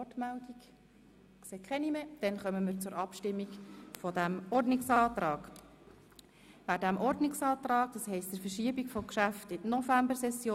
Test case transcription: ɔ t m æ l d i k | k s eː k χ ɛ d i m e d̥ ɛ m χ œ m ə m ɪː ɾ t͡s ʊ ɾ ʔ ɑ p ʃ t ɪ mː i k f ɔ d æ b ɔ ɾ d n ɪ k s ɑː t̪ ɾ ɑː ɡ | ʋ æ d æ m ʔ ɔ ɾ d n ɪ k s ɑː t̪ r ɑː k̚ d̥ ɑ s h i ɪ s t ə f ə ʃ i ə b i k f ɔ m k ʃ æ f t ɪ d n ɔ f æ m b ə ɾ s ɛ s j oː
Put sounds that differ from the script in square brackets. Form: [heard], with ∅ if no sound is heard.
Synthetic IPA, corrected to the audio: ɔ t m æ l d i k | k s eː k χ ɛ [n] i m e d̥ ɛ [n] χ œ m ə m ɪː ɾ t͡s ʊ ɾ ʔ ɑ p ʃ t ɪ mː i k f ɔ d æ [m] ɔ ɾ d n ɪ k s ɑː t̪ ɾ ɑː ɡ | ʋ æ d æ m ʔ ɔ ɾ d n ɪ k s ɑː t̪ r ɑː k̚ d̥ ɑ s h [ɛ] ɪ s t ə f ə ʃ i ə b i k f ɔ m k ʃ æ f t ɪ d n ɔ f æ m b ə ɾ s ɛ s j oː